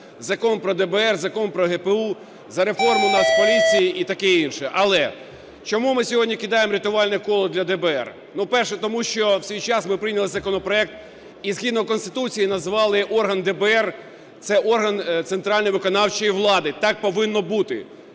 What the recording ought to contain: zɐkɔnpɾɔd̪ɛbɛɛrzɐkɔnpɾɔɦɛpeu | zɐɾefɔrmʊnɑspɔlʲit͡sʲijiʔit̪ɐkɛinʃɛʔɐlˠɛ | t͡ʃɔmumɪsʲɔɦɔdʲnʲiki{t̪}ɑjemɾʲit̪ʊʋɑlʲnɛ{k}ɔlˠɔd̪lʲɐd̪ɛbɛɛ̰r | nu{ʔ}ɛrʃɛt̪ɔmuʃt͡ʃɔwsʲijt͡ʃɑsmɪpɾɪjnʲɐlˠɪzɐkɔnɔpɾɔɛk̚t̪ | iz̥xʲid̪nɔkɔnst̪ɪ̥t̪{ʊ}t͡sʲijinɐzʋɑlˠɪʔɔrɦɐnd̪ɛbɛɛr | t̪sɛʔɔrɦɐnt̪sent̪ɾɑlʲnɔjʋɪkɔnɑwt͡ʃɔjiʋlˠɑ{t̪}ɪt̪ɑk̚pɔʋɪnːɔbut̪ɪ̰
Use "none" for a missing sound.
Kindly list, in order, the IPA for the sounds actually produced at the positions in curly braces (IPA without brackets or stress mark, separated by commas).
d̪, k, p, u, d̪